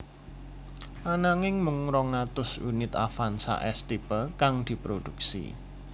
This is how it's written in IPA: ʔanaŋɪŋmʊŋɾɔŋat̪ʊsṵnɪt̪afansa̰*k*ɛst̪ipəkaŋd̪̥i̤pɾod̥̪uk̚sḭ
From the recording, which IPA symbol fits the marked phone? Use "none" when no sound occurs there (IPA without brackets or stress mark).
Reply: ʔ